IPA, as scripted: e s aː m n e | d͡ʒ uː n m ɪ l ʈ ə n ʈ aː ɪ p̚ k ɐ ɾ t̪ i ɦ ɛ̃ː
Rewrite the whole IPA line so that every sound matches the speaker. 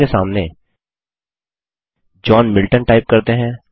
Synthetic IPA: e s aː m n e | d͡ʒ ɔː n m ɪ l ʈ ə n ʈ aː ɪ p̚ k ɐ ɾ t̪ e ɦ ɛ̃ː